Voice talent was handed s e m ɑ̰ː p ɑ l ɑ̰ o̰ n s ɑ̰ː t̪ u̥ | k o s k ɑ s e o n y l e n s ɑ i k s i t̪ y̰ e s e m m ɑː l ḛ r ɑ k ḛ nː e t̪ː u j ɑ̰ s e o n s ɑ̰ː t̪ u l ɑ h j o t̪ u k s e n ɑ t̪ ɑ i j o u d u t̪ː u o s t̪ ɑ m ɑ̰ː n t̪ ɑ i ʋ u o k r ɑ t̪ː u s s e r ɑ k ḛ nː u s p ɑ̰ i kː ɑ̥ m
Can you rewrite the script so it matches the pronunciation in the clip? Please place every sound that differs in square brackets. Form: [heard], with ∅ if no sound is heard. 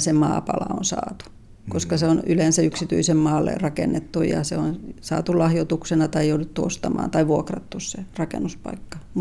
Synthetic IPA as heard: s e m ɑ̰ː p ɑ l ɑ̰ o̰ n s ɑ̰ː t̪ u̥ | k o s k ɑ s e o n y l e n s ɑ [y] k s i t̪ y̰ [i] s e m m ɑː [lː] ḛ r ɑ k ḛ nː e t̪ː u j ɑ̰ s e o n s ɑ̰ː t̪ u l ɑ h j o t̪ u k s e n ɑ t̪ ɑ i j o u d u t̪ː u o s t̪ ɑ m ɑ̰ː n t̪ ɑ i ʋ u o k r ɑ t̪ː u s s e r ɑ k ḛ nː u s p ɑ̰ i kː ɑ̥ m